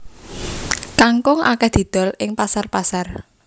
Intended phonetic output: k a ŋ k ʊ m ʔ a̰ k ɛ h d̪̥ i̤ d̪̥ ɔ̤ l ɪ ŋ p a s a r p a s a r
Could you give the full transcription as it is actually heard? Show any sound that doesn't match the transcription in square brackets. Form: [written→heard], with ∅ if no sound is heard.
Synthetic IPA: k a ŋ k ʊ [m→ŋ] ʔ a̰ k ɛ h d̪̥ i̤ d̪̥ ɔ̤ l ɪ ŋ p a s a r p a s a r